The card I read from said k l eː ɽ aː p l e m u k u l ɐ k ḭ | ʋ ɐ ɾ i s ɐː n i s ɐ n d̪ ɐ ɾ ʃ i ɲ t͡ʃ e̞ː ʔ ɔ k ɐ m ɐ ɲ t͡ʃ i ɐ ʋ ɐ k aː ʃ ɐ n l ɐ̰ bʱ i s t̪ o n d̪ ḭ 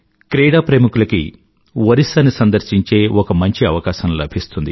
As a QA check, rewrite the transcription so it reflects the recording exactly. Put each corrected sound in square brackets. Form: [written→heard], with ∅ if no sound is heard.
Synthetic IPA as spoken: k [l→ɾ] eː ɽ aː p [l→ɾ] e m u k u l ɐ k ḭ | ʋ ɐ ɾ i s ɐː n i s ɐ n d̪ ɐ ɾ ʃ i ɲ t͡ʃ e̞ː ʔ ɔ k ɐ m ɐ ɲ t͡ʃ i ɐ ʋ ɐ k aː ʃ ɐ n l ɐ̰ bʱ i s t̪ [o→u] n d̪ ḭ

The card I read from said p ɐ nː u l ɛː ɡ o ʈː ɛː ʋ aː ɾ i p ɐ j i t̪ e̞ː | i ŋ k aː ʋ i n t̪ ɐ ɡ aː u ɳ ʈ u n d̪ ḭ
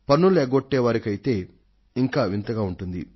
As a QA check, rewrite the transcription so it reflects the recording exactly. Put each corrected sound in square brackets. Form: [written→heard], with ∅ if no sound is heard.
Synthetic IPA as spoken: p ɐ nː u l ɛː ɡ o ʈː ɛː ʋ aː ɾ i [p→k] ɐ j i t̪ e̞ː | i ŋ k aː ʋ i n t̪ ɐ ɡ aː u ɳ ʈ u n d̪ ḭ

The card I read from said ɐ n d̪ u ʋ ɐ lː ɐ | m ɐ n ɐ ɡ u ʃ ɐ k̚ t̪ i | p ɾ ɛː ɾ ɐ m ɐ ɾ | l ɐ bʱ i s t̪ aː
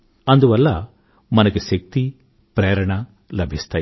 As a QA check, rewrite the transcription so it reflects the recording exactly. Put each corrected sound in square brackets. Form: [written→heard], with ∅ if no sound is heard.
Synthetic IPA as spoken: ɐ n d̪ u ʋ ɐ lː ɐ | m ɐ n ɐ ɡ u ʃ ɐ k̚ t̪ i | p ɾ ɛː ɾ ɐ [m→ɳ] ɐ [ɾ→∅] | l ɐ bʱ i s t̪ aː

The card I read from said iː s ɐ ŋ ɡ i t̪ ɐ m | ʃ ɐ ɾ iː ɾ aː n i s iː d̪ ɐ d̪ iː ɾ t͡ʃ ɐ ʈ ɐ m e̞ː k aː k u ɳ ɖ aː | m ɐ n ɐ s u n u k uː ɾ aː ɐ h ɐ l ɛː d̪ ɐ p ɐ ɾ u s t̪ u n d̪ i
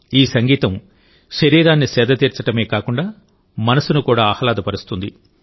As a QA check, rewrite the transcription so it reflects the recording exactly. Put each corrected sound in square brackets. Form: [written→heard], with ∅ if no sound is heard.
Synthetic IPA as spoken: iː s ɐ ŋ ɡ [i→iː] t̪ ɐ m | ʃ ɐ ɾ iː ɾ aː [n→nː] i s [iː→ɛː] d̪ ɐ [d̪→t̪] iː ɾ t͡ʃ ɐ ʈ ɐ m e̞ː k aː k u ɳ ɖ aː | m ɐ n ɐ s u n u k uː [ɾ→ɽ] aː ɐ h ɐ l [ɛː→aː] d̪ ɐ p ɐ ɾ u s t̪ u n d̪ i

